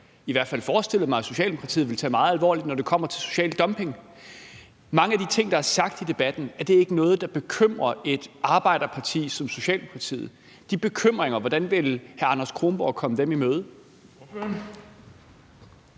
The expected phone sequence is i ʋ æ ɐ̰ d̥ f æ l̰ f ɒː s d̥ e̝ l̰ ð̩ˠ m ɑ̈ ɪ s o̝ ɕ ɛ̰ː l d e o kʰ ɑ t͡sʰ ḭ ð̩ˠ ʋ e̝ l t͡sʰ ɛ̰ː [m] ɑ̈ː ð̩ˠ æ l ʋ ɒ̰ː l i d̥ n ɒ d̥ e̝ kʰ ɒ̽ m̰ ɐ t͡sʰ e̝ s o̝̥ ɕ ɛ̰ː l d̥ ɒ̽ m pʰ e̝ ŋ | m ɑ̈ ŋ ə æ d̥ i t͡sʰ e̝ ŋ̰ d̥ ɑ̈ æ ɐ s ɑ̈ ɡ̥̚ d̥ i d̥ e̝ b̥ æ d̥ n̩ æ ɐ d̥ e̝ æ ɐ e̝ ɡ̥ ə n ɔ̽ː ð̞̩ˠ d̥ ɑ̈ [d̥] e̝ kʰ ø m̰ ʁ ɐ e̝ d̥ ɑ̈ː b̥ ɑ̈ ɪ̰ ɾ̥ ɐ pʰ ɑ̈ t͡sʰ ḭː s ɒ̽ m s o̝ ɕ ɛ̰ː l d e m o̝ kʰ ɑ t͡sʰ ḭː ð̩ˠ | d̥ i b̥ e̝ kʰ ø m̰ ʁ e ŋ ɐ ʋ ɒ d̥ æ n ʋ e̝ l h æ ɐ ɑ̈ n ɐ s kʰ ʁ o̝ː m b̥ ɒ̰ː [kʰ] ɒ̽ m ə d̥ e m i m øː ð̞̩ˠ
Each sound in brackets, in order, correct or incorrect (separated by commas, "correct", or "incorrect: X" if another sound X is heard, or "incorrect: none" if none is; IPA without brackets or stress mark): correct, incorrect: b̥, correct